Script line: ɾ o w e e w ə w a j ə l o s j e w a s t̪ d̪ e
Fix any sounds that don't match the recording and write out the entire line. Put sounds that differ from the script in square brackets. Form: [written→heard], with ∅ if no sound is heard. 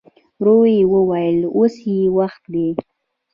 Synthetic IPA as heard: ɾ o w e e w ə w a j ə l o s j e w a [s→x] t̪ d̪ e